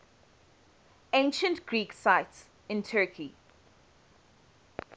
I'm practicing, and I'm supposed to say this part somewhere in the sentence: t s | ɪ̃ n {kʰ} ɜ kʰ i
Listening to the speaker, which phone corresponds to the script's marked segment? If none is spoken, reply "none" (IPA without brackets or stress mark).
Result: tʰ